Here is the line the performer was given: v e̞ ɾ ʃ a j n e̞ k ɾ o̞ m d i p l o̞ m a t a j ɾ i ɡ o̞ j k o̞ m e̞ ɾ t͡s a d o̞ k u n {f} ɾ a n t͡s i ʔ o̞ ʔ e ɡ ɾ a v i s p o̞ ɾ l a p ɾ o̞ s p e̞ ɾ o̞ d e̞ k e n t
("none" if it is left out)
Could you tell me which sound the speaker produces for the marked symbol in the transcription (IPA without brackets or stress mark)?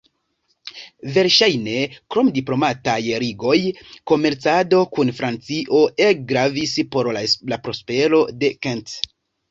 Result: f